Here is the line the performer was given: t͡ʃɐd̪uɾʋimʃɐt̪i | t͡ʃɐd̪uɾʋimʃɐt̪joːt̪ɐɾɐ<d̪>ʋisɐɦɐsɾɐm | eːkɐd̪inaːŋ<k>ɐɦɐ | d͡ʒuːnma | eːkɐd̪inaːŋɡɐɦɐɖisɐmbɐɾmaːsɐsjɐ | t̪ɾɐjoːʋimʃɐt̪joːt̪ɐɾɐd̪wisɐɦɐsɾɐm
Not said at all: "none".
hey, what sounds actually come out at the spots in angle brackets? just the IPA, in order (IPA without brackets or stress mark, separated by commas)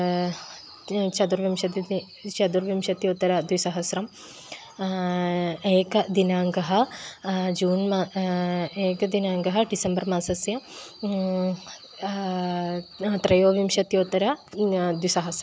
d̪, ɡ